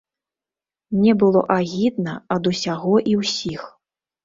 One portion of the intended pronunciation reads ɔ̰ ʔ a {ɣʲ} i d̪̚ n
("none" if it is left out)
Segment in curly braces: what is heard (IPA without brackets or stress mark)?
ɣʲ